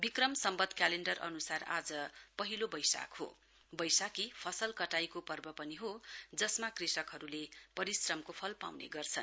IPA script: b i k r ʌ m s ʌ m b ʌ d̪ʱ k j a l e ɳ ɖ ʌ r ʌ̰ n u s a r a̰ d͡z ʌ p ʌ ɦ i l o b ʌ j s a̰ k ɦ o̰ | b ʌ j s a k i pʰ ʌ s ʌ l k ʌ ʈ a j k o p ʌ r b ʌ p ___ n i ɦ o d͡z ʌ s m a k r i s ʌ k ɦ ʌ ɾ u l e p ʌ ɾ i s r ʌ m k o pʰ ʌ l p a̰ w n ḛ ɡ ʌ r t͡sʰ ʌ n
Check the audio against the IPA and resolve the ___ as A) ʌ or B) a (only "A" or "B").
A